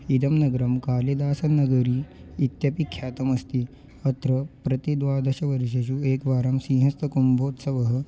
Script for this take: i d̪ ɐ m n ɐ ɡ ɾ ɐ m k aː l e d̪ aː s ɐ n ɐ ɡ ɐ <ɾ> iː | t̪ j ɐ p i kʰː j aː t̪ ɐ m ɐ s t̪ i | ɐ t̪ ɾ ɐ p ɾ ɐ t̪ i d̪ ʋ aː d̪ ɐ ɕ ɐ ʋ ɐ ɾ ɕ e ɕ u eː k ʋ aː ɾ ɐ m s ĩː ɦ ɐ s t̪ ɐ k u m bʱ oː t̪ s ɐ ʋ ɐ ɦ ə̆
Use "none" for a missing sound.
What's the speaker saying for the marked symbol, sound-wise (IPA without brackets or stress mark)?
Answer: ɾ